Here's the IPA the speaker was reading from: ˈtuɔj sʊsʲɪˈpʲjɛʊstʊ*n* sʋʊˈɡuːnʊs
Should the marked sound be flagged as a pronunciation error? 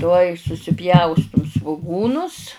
yes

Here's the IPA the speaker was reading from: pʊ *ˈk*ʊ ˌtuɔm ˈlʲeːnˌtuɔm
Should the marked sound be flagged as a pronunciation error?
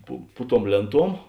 yes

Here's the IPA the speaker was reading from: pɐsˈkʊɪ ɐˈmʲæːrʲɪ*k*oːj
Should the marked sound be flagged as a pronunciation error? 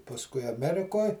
no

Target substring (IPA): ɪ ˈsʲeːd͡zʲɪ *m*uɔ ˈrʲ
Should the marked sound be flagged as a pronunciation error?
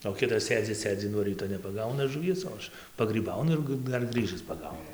yes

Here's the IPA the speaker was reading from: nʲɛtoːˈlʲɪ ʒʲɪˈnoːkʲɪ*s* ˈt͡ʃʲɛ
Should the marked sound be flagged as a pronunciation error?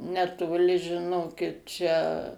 yes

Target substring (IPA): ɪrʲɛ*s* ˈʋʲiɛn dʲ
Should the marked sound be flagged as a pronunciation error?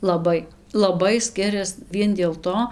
no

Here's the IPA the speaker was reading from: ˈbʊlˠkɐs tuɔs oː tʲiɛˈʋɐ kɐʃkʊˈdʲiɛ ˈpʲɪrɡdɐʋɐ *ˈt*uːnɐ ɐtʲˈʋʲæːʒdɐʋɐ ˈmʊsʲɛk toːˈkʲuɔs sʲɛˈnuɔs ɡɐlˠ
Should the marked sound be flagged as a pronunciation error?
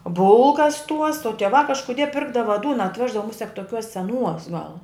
yes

